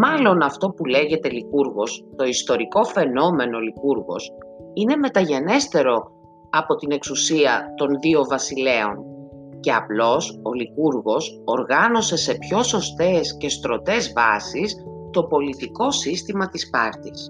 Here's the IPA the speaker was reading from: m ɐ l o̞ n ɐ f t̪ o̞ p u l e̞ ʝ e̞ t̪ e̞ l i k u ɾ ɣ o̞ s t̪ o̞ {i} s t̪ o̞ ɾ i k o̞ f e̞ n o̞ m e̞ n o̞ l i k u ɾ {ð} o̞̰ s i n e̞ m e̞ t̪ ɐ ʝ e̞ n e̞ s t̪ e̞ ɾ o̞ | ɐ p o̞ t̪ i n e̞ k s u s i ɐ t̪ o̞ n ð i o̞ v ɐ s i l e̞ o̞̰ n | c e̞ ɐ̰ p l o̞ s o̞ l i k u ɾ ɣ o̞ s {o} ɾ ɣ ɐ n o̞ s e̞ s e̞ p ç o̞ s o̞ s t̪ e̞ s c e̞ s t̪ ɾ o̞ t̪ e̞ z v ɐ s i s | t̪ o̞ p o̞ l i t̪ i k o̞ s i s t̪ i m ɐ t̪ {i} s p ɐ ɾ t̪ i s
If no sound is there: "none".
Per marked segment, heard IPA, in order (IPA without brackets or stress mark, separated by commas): i, ɣ, o, i